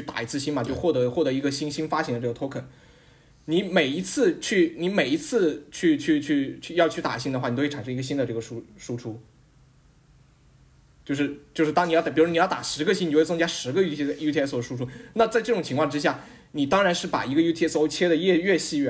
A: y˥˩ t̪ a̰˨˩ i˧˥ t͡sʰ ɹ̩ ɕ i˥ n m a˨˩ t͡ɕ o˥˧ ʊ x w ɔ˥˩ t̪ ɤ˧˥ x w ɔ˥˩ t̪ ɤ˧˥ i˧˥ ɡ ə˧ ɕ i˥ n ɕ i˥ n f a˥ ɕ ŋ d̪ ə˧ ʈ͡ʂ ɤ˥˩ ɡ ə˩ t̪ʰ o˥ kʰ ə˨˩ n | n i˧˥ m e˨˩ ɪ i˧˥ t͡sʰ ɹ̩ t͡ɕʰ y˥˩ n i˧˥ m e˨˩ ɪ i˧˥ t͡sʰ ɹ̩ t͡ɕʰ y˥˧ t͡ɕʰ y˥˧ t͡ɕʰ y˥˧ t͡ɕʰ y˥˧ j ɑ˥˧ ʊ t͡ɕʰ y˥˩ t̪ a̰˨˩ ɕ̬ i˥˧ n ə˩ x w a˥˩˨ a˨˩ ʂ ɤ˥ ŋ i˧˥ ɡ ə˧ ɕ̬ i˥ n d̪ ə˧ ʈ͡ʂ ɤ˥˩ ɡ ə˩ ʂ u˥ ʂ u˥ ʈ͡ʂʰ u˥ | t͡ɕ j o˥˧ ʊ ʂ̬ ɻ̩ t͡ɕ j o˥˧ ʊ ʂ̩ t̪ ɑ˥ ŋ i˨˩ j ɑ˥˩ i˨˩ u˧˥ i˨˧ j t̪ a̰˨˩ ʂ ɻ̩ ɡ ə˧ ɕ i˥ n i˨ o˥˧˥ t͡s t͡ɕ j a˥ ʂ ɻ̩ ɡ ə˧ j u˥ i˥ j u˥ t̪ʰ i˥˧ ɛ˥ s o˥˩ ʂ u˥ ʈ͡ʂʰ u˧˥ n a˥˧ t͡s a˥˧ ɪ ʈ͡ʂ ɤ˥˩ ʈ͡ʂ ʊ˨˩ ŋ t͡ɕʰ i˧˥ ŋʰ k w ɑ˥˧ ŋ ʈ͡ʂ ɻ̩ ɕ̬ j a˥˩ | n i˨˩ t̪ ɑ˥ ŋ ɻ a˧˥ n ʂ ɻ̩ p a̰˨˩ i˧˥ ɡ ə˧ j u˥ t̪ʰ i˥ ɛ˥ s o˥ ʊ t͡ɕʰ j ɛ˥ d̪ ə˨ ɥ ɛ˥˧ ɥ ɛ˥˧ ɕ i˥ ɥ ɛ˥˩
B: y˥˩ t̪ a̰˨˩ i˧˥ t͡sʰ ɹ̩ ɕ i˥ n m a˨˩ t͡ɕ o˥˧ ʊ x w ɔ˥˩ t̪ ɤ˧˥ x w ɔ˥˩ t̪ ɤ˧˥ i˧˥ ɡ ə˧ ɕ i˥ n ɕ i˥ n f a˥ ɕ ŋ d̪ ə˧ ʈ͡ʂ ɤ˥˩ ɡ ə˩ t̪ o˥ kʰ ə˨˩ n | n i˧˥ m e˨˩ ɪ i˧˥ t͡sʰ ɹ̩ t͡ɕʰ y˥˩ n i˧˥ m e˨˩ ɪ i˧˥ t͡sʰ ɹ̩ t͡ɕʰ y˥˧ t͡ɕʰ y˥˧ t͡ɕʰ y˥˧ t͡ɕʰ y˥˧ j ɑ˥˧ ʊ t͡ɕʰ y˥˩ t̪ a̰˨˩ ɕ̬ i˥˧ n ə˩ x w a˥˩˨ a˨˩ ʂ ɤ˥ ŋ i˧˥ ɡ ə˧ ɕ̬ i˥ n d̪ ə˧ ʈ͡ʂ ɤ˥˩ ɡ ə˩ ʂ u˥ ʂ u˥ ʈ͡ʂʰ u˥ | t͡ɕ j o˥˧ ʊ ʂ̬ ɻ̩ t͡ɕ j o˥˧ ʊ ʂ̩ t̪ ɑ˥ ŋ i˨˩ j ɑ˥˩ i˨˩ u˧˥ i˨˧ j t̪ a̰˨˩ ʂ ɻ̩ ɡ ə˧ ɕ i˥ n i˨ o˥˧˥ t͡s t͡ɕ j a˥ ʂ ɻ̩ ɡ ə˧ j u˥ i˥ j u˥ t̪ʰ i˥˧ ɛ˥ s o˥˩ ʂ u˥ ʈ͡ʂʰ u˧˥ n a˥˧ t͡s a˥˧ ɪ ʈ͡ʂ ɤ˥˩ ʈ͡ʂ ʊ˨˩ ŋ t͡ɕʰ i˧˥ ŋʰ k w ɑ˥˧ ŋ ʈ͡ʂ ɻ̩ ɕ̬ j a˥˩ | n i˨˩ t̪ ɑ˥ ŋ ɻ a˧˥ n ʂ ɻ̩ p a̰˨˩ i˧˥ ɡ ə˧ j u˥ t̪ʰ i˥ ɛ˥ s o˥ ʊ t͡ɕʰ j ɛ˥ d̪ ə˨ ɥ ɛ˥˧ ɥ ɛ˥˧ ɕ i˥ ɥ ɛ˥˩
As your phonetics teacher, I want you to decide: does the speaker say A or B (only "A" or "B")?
A